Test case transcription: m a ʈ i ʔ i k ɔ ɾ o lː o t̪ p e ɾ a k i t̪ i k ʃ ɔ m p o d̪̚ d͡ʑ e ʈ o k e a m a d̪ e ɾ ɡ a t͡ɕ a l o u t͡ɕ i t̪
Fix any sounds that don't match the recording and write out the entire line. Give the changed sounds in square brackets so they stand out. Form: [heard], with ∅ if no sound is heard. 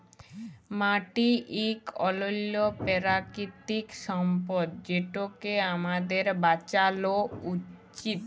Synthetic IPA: m a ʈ i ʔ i k ɔ [l] o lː o [∅] p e ɾ a k i t̪ i k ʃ ɔ m p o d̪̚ d͡ʑ e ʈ o k e a m a d̪ e ɾ [b] a t͡ɕ a l o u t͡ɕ i t̪